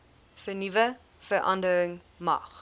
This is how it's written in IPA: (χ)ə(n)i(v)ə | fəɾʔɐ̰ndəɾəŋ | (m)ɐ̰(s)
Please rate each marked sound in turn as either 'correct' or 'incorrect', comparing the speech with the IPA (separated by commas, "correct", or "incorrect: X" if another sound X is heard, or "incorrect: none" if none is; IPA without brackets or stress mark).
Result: incorrect: f, correct, correct, correct, incorrect: χ